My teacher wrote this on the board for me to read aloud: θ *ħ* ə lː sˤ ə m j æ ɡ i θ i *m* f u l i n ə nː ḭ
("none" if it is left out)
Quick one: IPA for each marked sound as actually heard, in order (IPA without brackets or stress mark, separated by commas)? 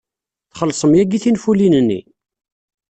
χ, n